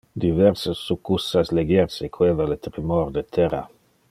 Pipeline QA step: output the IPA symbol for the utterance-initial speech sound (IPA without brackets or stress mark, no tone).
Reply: d̪